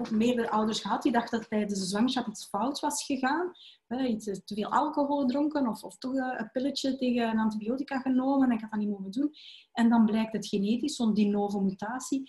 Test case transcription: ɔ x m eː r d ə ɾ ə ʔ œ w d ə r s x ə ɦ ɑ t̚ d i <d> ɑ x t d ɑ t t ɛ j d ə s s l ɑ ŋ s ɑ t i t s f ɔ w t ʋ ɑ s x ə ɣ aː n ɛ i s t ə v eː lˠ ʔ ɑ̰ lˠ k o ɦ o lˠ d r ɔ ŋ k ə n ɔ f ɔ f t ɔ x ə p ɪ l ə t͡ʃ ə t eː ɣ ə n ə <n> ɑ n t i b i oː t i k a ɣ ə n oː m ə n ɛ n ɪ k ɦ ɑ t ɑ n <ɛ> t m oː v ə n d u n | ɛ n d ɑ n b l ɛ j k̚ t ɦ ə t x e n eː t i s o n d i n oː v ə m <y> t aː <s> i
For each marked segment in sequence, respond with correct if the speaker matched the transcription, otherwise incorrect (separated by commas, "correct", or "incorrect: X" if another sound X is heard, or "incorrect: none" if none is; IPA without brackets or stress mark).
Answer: correct, correct, incorrect: i, correct, correct